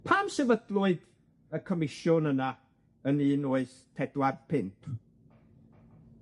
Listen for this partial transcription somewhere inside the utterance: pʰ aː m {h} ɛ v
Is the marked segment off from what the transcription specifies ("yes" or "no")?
yes